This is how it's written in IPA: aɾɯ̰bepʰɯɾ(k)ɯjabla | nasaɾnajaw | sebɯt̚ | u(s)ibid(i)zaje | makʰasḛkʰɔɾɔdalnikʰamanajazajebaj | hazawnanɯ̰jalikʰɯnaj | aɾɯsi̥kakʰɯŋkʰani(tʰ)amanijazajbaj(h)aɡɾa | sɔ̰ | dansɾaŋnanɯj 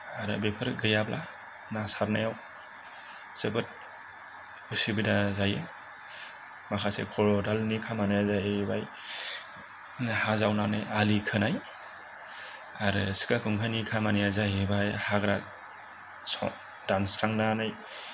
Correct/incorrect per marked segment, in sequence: incorrect, correct, incorrect, incorrect, correct

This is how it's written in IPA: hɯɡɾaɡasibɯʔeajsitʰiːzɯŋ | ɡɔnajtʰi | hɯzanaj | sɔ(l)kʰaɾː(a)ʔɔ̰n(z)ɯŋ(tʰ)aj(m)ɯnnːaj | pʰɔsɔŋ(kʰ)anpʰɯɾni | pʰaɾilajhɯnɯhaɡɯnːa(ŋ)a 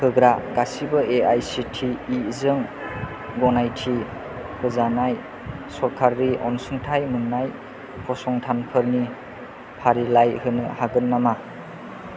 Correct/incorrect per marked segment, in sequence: incorrect, incorrect, incorrect, correct, correct, incorrect, incorrect

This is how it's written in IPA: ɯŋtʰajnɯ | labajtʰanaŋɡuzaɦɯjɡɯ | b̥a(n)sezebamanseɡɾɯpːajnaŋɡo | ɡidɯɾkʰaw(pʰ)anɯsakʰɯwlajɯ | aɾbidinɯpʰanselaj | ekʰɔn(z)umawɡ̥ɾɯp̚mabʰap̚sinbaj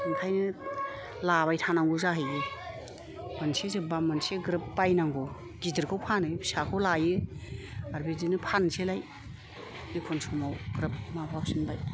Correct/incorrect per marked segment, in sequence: correct, correct, incorrect

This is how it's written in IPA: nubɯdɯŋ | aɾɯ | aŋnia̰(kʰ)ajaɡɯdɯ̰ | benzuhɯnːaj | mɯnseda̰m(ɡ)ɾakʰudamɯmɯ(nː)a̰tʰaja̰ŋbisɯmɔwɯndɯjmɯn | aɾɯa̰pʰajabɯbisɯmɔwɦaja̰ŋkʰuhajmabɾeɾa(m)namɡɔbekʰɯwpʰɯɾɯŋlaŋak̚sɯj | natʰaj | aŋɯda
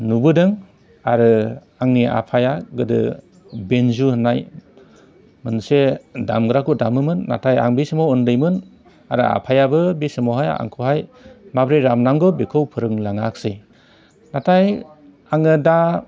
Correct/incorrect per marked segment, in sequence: incorrect, correct, correct, correct

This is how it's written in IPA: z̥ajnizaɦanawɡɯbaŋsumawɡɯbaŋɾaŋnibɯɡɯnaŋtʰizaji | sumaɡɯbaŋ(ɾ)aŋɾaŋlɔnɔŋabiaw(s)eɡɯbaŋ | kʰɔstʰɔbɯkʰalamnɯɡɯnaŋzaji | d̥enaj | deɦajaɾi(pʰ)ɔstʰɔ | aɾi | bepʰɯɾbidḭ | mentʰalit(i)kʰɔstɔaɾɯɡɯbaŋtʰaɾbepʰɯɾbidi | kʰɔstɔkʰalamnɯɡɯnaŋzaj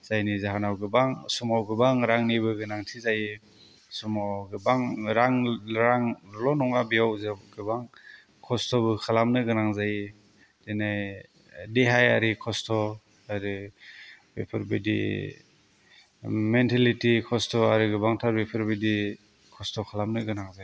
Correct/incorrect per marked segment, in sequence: correct, incorrect, incorrect, correct

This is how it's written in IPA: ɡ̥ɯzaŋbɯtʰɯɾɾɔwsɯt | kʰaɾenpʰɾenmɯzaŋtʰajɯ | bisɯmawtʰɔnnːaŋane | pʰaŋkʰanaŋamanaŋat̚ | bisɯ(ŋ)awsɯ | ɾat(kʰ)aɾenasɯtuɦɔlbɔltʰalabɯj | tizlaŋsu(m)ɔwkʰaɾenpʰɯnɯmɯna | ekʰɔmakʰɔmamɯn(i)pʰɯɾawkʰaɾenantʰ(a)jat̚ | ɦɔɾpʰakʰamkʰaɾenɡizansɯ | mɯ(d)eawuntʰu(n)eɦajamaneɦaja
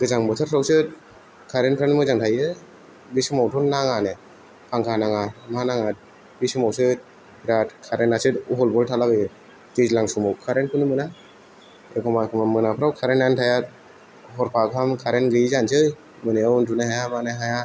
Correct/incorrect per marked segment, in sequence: incorrect, correct, correct, incorrect, correct, incorrect, correct

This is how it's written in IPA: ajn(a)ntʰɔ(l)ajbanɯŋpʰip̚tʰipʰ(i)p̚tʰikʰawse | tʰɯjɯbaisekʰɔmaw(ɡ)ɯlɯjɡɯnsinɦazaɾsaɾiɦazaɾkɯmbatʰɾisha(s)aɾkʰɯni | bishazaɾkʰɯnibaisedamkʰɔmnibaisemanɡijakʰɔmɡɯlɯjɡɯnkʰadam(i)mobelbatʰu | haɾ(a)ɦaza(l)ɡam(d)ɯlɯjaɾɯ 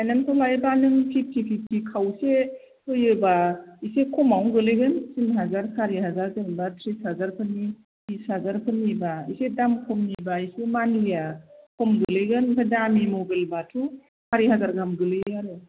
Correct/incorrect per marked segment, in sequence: correct, correct, correct, correct, incorrect, correct, incorrect, incorrect, incorrect

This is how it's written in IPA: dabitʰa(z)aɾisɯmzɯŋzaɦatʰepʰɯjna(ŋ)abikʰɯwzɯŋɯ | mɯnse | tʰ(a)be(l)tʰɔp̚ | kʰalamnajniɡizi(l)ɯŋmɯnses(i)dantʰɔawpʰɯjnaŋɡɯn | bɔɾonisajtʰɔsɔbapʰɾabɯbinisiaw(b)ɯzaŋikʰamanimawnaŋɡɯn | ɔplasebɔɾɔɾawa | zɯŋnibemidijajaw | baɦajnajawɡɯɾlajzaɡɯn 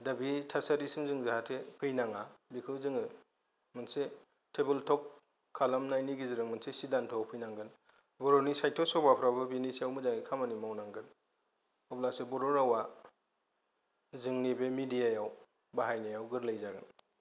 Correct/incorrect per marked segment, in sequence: incorrect, correct, incorrect, correct, incorrect, correct, incorrect

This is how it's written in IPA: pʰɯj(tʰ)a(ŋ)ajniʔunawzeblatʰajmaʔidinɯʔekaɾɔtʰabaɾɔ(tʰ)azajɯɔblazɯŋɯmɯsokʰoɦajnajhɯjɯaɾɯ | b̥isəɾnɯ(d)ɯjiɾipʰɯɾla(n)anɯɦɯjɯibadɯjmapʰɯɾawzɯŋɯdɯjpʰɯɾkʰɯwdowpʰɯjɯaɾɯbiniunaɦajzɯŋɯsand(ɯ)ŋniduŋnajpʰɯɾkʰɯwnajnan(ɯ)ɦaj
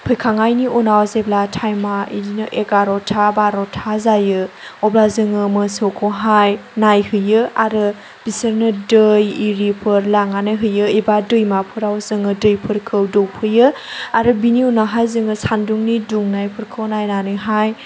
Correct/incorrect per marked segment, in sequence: incorrect, correct, correct, correct, incorrect, incorrect, correct

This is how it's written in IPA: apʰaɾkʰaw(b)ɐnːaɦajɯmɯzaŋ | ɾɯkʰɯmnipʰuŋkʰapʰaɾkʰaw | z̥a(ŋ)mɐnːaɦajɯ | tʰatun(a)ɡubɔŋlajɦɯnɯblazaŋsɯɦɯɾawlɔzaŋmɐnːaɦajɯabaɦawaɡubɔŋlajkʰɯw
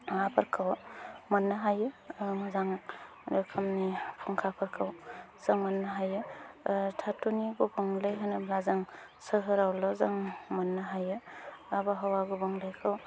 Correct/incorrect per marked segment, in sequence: incorrect, correct, incorrect

